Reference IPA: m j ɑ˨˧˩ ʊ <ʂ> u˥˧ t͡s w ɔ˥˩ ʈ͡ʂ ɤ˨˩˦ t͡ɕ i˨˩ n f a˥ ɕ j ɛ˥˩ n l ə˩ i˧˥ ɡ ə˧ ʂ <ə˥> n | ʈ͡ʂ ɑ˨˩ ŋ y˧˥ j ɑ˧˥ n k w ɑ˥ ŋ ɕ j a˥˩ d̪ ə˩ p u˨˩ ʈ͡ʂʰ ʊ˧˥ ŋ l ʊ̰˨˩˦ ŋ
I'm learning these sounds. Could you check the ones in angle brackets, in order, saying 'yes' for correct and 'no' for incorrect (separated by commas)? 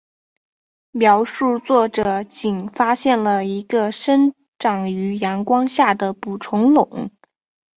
yes, yes